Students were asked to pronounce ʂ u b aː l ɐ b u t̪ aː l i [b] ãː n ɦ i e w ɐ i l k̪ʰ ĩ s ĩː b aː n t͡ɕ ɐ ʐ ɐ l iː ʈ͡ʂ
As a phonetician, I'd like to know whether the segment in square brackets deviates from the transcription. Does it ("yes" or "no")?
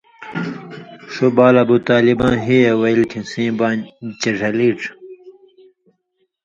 no